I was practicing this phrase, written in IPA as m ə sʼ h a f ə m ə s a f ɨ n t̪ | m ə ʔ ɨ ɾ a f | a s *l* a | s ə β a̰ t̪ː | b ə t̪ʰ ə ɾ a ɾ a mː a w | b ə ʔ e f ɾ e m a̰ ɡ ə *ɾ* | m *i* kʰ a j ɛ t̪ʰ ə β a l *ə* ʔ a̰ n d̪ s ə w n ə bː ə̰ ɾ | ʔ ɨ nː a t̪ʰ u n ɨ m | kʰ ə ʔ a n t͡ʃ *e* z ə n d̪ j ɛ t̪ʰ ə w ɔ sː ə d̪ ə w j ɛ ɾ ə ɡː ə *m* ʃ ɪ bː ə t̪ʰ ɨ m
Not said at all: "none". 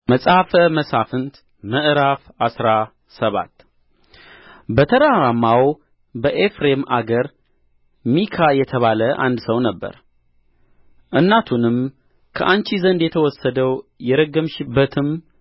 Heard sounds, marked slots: ɾ, ɾ, i, ə, i, m

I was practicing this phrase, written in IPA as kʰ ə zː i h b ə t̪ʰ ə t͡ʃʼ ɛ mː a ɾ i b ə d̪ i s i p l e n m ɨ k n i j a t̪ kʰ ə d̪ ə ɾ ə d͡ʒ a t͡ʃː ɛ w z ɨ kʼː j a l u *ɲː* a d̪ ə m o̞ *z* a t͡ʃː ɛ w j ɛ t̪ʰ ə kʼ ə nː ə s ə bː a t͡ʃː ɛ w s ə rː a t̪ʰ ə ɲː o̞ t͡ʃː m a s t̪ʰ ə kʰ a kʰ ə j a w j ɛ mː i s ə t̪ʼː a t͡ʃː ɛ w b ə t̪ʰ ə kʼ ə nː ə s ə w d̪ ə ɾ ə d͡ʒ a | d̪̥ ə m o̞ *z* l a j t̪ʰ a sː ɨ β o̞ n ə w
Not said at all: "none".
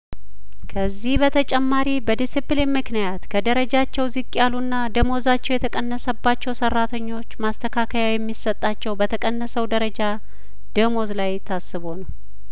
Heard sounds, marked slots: nː, z, z

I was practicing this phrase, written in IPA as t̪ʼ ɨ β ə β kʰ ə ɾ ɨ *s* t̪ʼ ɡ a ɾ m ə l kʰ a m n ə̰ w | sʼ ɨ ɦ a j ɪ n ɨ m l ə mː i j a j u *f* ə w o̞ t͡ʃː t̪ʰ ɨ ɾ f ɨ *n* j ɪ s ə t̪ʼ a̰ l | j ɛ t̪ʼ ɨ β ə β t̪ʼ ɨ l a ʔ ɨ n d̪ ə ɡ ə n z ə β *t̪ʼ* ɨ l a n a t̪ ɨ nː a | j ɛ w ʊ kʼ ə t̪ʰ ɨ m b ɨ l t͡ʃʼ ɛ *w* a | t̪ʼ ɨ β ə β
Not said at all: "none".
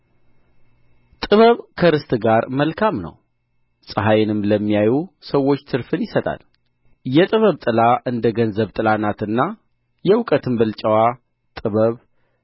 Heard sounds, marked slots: s, s, n, t̪ʼ, w

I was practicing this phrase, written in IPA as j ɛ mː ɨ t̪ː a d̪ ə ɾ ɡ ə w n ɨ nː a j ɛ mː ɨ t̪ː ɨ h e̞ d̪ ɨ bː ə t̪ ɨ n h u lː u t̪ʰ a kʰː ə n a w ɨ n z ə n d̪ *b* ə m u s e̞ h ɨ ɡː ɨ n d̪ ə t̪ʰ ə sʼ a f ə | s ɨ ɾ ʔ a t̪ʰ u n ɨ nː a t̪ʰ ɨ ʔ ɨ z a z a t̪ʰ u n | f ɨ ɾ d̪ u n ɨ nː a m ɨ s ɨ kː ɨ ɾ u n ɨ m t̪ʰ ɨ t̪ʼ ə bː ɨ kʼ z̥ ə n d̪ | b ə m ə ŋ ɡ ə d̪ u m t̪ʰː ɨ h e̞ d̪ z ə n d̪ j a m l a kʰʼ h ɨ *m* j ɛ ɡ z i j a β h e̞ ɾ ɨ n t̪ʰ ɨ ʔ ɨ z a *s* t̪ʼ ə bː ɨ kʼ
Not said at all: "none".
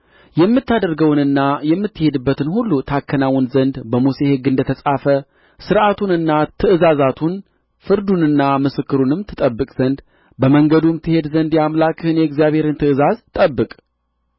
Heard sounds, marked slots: b, n, z

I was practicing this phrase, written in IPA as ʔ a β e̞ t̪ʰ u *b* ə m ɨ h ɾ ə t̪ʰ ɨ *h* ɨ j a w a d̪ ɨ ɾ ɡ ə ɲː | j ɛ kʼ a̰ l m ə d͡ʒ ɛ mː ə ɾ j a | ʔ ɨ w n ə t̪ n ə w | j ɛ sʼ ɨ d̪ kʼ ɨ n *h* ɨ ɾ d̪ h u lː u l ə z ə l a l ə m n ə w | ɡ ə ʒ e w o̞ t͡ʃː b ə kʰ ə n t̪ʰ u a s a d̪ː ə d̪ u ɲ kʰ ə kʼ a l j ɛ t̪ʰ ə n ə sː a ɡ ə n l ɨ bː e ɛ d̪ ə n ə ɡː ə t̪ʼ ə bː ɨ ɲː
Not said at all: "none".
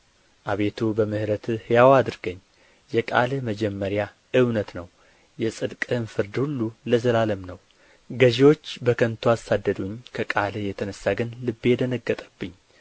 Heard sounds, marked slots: b, h, f

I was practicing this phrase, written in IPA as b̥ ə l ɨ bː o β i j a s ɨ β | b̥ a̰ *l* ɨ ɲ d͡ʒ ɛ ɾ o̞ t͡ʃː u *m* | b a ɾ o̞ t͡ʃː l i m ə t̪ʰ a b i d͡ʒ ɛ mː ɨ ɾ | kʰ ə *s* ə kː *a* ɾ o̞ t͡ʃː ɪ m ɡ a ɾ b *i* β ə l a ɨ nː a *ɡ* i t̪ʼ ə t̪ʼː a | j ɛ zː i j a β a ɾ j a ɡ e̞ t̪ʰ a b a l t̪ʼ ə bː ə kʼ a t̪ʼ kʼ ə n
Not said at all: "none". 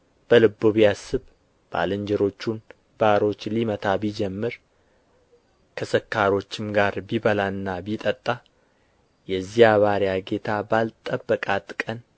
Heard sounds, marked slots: l, n, s, a, i, b

